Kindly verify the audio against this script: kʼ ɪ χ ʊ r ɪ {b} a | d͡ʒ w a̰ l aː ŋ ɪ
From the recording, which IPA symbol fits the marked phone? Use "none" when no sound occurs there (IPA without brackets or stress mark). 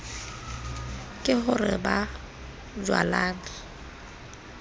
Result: b